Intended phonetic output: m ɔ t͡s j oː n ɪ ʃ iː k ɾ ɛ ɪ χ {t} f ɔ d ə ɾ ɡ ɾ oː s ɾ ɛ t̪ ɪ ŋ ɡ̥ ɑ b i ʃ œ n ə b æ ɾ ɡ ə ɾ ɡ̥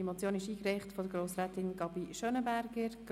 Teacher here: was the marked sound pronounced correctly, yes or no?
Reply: yes